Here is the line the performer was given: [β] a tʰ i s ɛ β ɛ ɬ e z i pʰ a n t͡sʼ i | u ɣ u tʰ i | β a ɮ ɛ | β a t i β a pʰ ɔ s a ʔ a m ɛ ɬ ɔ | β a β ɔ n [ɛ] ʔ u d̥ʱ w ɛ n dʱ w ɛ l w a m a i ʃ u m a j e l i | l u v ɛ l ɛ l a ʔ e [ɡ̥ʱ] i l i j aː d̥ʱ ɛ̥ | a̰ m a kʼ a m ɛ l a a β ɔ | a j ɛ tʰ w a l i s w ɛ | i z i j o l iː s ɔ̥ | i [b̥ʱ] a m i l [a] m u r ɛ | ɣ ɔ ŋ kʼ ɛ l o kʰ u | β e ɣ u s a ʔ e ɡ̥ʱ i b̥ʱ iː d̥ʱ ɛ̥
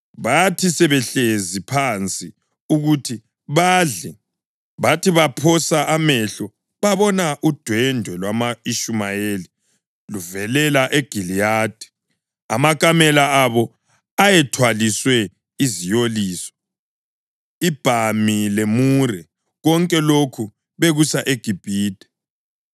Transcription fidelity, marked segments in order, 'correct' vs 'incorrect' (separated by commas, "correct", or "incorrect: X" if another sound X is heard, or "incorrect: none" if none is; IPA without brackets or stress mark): correct, incorrect: a, correct, correct, incorrect: e